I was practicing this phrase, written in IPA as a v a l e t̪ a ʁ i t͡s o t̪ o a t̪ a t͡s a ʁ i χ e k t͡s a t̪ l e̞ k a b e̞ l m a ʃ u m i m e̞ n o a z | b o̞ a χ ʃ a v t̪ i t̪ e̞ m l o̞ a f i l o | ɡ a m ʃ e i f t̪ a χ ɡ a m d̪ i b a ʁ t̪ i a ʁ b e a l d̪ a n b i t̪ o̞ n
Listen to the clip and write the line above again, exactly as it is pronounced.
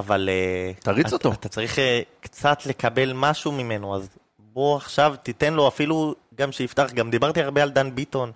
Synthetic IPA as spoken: a v a l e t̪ a ʁ i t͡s o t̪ o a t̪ a t͡s a ʁ i χ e k t͡s a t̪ l e̞ k a b e̞ l m a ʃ u m i m e̞ n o a z | b o̞ a χ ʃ a v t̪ i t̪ e̞ n l o̞ a f i l u | ɡ a m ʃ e i f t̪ a χ ɡ a m d̪ i b a ʁ t̪ i a ʁ b e a l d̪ a n b i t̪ o̞ n